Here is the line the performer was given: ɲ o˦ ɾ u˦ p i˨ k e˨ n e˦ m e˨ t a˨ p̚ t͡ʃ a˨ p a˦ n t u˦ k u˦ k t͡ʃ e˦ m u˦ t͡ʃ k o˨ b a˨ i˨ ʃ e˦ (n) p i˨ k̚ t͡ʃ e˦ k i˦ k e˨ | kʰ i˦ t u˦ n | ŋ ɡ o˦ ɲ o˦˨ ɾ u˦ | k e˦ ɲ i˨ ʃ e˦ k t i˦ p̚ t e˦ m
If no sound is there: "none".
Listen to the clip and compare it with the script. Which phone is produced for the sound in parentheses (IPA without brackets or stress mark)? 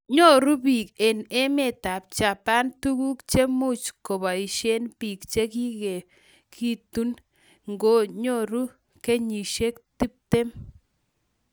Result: n